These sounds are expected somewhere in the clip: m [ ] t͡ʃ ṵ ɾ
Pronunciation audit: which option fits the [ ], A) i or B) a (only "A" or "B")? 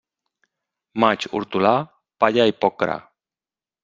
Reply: B